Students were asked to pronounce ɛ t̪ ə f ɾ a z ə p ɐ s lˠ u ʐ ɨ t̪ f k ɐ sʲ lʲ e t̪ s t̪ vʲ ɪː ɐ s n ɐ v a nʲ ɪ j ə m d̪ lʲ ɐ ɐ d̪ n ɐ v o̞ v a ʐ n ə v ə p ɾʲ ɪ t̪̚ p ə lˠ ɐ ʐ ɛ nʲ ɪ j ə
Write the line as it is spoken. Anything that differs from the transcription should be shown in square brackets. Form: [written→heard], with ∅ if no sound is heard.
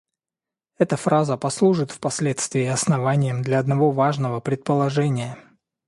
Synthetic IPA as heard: ɛ t̪ ə f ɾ a z ə p ɐ s lˠ u ʐ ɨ t̪ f [k→p] ɐ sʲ lʲ e t̪ s t̪ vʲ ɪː ɐ s n ɐ v a nʲ ɪ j ə m d̪ lʲ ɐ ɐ d̪ n ɐ v o̞ v a ʐ n ə v ə p ɾʲ ɪ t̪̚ p ə lˠ ɐ ʐ ɛ nʲ ɪ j ə